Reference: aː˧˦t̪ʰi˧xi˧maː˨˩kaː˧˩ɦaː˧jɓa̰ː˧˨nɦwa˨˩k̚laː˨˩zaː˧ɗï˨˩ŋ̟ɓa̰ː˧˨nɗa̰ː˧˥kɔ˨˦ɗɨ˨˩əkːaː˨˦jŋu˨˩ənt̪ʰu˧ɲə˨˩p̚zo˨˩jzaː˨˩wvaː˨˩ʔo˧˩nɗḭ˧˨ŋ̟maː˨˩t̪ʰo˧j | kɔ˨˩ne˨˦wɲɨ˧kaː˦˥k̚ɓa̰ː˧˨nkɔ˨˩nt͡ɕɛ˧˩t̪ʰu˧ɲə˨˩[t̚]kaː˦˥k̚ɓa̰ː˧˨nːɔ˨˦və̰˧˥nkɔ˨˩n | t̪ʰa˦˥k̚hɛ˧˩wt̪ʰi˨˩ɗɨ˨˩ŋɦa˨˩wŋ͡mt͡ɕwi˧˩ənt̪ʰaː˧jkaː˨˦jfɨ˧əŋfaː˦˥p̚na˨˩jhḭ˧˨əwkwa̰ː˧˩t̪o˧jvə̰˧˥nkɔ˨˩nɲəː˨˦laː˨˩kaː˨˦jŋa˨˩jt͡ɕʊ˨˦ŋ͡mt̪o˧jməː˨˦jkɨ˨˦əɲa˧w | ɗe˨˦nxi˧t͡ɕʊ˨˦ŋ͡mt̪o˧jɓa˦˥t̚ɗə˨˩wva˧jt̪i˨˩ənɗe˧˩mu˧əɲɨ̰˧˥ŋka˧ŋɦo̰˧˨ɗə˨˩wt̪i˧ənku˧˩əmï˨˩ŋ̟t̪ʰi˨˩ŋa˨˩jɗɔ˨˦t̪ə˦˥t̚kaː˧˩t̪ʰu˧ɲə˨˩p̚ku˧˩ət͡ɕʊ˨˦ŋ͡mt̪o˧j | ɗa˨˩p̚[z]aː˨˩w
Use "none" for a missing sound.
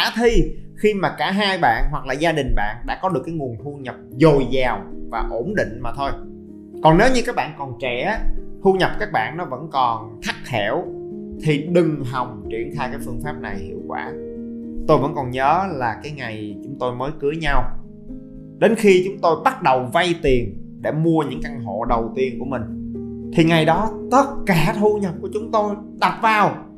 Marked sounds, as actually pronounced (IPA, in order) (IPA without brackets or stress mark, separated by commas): p̚, v